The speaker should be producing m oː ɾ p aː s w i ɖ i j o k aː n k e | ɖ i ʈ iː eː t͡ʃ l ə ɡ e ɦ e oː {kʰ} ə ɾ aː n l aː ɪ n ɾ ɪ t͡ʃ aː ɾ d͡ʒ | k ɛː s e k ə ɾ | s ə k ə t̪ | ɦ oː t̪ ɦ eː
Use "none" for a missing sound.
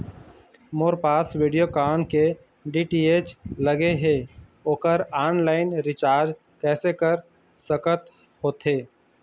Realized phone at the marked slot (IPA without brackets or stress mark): k